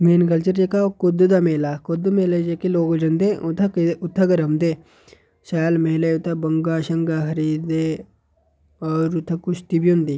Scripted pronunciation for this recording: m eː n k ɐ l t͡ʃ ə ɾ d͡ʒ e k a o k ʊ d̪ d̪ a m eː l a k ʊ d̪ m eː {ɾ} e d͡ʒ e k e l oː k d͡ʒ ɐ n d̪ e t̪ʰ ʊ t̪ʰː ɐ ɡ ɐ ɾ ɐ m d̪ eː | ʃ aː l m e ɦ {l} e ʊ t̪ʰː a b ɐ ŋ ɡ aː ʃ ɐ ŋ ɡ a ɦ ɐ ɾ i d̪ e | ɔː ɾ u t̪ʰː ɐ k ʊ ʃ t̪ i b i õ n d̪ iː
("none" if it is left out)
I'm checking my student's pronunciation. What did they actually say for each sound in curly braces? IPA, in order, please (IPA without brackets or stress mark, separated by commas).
l, l